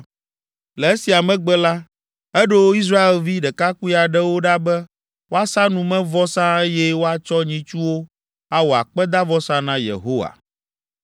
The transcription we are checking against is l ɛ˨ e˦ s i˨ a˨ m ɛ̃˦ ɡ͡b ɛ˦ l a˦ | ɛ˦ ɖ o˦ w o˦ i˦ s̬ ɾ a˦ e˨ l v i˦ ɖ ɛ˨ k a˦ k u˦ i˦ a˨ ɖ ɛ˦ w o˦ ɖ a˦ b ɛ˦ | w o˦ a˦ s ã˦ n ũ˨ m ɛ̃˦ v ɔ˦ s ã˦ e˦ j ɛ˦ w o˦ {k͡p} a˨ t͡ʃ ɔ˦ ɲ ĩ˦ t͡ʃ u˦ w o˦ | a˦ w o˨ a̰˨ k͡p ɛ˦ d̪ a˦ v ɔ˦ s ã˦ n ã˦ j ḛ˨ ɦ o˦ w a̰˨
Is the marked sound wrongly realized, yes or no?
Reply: yes